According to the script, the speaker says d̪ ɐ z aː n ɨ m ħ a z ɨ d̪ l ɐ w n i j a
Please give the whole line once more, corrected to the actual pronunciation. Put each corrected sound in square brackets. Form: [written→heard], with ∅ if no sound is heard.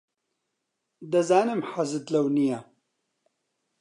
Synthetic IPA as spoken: d̪ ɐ z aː n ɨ m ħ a z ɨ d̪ l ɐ w n i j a